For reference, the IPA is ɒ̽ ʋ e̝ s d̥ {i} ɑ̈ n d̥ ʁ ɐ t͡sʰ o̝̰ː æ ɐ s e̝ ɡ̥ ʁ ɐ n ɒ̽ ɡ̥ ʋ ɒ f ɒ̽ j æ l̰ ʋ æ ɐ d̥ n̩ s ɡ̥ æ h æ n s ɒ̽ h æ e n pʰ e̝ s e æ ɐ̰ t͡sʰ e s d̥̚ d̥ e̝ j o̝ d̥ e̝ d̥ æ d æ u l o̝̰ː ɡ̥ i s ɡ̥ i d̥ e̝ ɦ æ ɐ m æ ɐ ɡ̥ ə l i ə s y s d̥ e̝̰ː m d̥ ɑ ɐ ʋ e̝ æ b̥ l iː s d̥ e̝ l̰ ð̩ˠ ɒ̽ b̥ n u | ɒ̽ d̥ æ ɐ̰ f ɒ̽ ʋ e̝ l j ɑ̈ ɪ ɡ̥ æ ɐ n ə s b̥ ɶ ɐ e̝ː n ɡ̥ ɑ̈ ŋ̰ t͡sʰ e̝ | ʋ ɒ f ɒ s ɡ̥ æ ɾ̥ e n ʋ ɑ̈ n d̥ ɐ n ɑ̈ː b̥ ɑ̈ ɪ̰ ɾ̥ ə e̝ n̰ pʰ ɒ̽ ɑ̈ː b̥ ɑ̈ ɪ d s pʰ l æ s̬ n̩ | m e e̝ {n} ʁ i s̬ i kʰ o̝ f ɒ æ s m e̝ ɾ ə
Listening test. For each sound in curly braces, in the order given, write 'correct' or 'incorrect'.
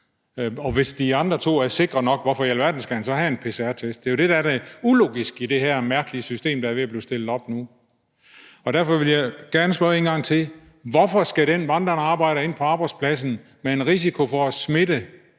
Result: correct, correct

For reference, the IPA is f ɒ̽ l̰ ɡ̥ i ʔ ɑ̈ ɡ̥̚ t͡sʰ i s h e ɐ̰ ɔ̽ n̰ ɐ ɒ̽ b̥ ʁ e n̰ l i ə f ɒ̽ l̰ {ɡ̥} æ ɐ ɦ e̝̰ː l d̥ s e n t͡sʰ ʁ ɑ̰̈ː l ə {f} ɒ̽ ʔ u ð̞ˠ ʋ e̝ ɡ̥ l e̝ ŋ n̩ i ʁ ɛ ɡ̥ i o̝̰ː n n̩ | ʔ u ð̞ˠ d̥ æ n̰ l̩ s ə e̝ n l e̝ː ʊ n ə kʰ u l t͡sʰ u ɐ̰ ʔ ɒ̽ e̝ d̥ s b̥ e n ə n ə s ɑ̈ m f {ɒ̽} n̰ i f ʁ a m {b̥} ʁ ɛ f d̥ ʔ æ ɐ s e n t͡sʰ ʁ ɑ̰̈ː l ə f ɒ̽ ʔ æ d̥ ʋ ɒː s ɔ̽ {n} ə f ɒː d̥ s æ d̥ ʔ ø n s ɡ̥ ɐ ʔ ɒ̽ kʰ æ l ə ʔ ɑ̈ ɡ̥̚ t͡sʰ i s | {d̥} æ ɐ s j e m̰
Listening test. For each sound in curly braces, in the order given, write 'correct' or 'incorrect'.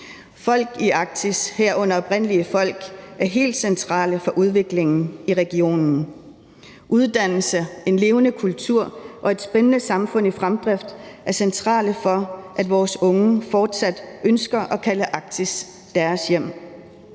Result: correct, correct, incorrect: ɔ̽, incorrect: d̥, incorrect: ŋ, correct

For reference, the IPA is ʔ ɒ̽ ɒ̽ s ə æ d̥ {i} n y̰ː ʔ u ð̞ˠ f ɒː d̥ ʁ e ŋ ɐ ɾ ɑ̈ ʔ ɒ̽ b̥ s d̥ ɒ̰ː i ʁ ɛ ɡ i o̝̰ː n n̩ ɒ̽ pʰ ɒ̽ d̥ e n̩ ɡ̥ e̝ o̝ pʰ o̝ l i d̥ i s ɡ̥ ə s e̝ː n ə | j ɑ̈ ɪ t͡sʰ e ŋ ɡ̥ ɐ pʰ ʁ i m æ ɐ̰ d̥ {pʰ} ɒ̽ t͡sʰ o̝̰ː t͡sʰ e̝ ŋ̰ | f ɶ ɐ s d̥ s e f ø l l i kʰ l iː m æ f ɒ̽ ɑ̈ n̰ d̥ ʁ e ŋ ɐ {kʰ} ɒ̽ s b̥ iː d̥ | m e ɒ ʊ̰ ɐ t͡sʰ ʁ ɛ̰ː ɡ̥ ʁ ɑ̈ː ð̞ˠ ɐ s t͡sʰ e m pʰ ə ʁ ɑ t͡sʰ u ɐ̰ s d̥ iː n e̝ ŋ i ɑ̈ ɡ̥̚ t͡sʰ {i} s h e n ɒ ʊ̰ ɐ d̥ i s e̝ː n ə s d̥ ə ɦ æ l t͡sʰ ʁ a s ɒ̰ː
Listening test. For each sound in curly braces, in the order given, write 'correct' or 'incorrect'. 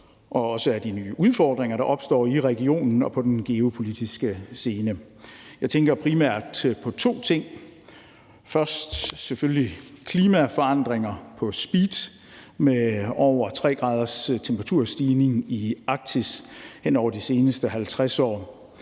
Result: correct, correct, incorrect: pʰ, correct

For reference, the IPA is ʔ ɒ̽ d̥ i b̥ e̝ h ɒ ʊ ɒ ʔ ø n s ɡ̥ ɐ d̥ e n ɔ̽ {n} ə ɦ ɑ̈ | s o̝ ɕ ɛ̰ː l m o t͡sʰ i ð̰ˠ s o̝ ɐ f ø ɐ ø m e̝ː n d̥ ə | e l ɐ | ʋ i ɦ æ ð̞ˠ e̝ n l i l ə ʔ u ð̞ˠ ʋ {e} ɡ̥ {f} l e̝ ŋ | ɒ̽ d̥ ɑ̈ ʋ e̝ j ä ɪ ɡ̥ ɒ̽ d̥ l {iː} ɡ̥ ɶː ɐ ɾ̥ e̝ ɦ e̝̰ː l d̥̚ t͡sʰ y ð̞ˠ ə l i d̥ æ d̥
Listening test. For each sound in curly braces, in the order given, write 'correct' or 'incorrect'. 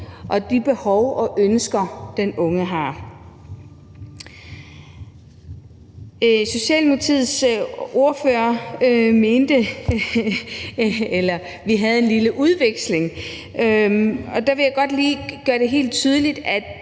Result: incorrect: ŋ, correct, incorrect: s, correct

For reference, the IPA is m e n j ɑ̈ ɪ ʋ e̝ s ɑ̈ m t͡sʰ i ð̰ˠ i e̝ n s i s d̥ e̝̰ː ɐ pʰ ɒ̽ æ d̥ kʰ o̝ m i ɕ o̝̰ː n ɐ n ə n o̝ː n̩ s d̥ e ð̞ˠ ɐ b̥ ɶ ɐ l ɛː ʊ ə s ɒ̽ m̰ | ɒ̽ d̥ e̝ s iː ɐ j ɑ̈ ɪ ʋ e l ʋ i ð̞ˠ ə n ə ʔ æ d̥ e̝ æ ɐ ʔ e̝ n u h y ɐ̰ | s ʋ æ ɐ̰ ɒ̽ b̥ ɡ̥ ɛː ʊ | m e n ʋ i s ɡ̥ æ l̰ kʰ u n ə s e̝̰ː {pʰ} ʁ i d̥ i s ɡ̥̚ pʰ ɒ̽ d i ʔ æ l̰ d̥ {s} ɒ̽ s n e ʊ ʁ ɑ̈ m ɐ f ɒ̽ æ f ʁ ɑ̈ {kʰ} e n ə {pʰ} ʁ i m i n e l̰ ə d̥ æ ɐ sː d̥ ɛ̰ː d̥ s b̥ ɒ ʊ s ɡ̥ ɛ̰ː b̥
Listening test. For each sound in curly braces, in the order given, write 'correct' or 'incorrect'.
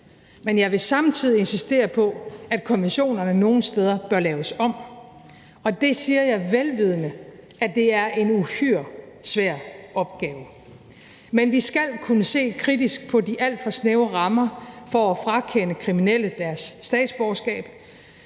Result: incorrect: kʰ, incorrect: f, correct, incorrect: kʰ

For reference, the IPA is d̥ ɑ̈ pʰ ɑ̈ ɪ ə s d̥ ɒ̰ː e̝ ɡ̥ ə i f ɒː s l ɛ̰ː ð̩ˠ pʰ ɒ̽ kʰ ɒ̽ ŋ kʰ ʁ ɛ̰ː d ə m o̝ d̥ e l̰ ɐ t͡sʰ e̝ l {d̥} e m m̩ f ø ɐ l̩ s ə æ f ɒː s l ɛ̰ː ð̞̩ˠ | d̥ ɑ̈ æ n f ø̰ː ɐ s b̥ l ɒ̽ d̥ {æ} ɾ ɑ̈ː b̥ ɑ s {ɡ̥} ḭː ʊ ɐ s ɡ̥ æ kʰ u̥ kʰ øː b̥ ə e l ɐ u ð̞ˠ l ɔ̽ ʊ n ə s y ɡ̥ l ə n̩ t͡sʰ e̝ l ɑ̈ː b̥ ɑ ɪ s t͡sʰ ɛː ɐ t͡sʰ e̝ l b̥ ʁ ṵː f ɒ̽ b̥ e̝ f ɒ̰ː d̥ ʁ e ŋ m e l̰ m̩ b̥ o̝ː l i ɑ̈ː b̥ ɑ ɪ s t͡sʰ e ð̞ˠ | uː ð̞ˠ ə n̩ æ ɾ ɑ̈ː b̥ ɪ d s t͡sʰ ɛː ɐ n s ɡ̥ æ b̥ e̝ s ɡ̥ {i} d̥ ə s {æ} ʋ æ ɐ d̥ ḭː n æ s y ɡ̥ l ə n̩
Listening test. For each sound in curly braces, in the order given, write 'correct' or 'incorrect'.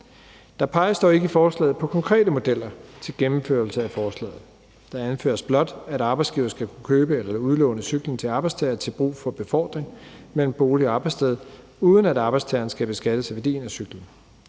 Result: incorrect: ɡ̥, correct, correct, incorrect: æ, correct

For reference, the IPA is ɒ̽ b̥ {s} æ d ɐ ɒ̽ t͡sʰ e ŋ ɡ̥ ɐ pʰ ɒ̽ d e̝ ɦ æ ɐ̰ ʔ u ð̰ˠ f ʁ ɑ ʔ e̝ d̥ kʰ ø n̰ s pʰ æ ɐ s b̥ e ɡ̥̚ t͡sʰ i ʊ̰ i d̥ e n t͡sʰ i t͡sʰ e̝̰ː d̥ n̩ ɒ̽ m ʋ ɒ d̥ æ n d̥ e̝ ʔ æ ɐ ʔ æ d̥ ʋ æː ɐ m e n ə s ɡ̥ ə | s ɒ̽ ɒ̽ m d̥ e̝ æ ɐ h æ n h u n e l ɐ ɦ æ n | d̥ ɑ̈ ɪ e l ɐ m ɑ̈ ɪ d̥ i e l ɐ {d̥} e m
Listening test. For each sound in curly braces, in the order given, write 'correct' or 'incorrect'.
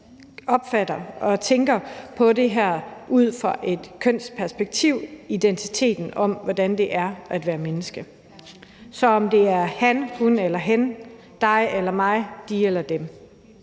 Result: incorrect: f, correct

